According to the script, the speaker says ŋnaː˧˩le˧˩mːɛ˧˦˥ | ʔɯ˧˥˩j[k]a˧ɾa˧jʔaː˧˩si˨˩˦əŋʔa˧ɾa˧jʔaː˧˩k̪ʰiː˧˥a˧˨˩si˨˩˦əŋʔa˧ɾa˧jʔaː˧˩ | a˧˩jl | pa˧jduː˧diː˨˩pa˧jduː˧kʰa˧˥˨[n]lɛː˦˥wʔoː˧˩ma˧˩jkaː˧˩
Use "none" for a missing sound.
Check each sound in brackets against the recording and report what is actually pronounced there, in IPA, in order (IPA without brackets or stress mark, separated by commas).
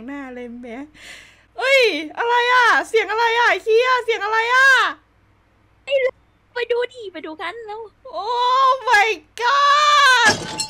ʔ, n